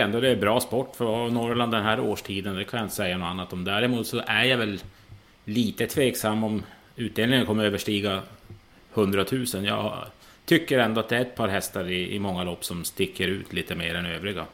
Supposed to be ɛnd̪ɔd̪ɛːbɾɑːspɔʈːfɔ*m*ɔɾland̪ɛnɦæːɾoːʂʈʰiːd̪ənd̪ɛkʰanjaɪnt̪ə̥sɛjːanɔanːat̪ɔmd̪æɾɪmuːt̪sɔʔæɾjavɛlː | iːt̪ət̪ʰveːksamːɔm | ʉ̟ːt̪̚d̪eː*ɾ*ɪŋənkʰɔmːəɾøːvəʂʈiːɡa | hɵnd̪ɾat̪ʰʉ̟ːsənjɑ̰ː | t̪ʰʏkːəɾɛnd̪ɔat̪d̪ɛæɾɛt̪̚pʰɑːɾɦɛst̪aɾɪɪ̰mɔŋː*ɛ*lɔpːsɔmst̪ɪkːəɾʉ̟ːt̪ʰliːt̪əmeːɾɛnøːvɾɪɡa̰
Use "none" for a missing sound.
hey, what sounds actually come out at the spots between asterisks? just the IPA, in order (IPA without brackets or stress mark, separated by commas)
n, l, a